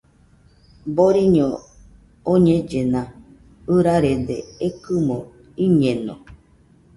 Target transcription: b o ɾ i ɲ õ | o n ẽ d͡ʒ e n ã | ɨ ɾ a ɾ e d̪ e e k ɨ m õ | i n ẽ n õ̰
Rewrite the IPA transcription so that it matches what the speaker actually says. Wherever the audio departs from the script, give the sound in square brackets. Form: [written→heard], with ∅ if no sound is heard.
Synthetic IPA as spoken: b o ɾ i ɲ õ | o [n→ɲ] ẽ d͡ʒ e n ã | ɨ ɾ a ɾ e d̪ e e k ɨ m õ | i [n→ɲ] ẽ n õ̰

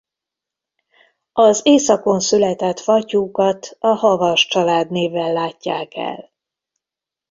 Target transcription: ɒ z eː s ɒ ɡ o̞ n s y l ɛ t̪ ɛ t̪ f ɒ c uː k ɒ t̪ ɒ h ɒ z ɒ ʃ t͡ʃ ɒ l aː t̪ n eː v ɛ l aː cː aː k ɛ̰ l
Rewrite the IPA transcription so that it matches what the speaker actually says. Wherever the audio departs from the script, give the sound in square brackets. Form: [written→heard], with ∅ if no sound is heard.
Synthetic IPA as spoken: ɒ z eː s ɒ [ɡ→k] o̞ n s y l ɛ t̪ ɛ t̪ f ɒ c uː k ɒ t̪ ɒ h ɒ [z→v] ɒ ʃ t͡ʃ ɒ l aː [t̪→d̪] n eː v ɛ [l→lː] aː cː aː k ɛ̰ l

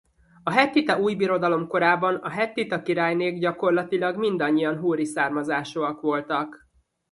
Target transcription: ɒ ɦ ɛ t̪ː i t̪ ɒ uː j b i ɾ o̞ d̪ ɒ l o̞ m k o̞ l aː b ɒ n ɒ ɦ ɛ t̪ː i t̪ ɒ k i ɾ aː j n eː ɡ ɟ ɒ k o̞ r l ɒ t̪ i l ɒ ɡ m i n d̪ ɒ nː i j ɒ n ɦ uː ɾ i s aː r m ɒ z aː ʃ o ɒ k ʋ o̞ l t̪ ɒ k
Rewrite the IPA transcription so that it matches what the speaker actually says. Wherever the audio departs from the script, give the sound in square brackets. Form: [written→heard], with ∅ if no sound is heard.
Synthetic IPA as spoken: ɒ ɦ ɛ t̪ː i t̪ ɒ uː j b i ɾ o̞ d̪ ɒ l o̞ m k o̞ [l→ɾ] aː b ɒ n ɒ ɦ ɛ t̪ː i t̪ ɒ k i ɾ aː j n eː ɡ ɟ ɒ k o̞ r l ɒ t̪ i l ɒ ɡ m i n d̪ ɒ [nː→ɲː] i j ɒ n ɦ uː ɾ i s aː r m ɒ z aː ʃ o ɒ k ʋ o̞ l t̪ ɒ k

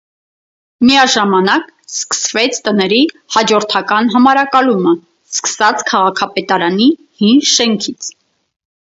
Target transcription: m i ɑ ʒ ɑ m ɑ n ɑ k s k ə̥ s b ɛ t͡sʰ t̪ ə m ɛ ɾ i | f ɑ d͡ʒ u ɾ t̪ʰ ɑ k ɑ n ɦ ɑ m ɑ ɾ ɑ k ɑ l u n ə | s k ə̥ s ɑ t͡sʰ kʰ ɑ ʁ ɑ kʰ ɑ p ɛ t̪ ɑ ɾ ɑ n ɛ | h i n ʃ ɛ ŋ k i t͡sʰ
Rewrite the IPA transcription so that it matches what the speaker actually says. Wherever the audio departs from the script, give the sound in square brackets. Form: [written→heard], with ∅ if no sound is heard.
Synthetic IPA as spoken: m i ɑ ʒ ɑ m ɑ n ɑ k s k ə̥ s [b→v] ɛ t͡sʰ t̪ ə [m→n] ɛ ɾ i | [f→h] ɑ d͡ʒ [u→ɔ] ɾ t̪ʰ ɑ k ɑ n ɦ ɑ m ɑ ɾ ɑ k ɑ l u [n→m] ə | s k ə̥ s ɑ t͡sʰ kʰ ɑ ʁ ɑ kʰ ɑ p ɛ t̪ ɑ ɾ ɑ n [ɛ→i] | h i n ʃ ɛ ŋ [k→kʰ] i t͡sʰ

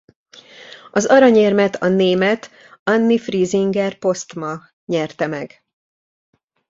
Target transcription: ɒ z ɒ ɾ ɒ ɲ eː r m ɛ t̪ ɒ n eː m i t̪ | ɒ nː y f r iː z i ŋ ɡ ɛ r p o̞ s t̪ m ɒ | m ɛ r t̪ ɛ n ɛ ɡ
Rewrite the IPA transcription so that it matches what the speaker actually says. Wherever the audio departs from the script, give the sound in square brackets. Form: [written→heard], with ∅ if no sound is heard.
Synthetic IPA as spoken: ɒ z ɒ ɾ ɒ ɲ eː r m ɛ t̪ ɒ n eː m [i→ɛ] t̪ | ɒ nː [y→i] f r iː z i ŋ ɡ ɛ r p o̞ s t̪ m ɒ | [m→ɲ] ɛ r t̪ ɛ [n→m] ɛ ɡ

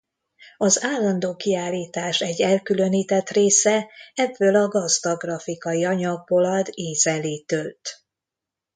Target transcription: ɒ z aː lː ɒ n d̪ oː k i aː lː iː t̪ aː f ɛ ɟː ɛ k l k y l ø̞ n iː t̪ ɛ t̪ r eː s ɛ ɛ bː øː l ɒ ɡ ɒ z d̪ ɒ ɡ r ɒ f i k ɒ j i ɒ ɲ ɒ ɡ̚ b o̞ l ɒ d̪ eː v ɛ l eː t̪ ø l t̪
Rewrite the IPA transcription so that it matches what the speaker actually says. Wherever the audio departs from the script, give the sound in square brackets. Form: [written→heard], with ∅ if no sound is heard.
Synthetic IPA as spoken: ɒ z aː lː ɒ n d̪ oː k i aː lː iː t̪ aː [f→ʃ] ɛ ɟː ɛ [k→∅] l k y l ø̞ n iː t̪ ɛ t̪ r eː s ɛ ɛ bː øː l ɒ ɡ ɒ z d̪ ɒ ɡ r ɒ f i k ɒ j i ɒ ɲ ɒ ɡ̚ b o̞ l ɒ d̪ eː [v→z] ɛ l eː t̪ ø l t̪

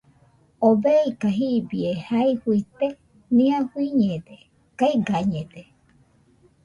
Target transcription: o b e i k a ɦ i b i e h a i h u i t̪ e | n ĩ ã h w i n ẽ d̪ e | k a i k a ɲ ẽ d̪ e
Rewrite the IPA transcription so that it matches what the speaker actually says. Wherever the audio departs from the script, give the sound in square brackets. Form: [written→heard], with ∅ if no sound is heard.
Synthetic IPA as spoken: o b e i k a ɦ i b i e h a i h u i t̪ e | n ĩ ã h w i [n→ɲ] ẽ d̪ e | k a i [k→ɡ] a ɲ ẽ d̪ e

